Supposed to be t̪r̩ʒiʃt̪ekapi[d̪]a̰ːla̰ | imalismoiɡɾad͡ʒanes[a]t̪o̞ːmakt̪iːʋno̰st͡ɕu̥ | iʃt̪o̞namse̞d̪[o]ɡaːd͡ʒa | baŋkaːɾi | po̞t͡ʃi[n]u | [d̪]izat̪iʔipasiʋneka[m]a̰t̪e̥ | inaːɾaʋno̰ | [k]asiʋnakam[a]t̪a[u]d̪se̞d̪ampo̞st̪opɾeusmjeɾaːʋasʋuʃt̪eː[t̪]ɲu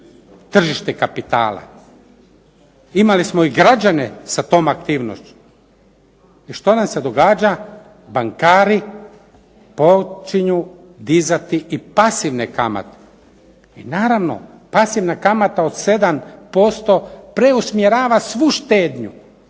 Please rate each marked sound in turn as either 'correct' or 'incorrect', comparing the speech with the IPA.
incorrect: t̪, correct, correct, incorrect: ɲ, correct, correct, incorrect: p, correct, incorrect: o, incorrect: d̪

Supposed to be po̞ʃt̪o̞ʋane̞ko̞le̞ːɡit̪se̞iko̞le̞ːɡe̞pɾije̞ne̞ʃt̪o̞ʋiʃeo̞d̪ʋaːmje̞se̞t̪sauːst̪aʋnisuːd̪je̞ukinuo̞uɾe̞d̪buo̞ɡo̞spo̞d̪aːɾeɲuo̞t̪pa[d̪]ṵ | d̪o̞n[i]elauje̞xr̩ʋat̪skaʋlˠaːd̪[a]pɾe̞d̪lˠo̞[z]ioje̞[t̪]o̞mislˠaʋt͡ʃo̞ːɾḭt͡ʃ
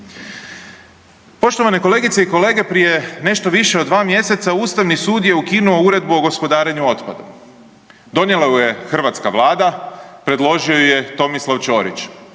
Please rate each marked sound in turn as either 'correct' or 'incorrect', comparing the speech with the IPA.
correct, incorrect: j, correct, incorrect: ʒ, correct

